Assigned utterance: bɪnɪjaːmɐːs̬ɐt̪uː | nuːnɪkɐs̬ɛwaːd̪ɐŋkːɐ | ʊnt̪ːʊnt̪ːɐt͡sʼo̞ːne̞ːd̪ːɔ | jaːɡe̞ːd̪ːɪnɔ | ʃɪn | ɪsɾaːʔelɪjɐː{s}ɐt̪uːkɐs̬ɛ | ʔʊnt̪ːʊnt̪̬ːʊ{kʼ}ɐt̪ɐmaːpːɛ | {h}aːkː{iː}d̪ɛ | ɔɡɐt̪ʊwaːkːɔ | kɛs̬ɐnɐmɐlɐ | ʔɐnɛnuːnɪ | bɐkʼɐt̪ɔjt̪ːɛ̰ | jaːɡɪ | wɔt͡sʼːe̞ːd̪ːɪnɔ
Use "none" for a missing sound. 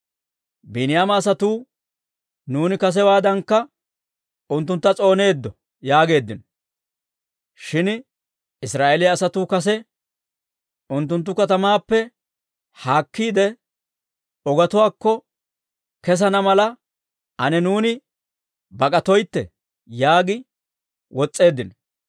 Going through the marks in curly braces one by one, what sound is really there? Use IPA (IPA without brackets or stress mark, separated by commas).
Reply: s, k, h, iː